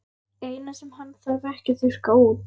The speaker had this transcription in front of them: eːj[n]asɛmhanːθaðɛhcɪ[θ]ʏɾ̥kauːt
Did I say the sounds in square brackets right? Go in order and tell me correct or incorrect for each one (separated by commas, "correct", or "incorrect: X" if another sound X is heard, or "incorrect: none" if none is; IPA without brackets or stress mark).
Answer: correct, correct